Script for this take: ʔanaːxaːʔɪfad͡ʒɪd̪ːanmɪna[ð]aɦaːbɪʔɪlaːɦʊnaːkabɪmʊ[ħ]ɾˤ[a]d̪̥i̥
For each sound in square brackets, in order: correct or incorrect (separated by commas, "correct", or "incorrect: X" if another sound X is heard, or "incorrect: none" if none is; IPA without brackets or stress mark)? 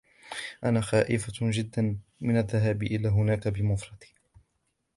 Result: incorrect: ðː, incorrect: f, incorrect: ɑ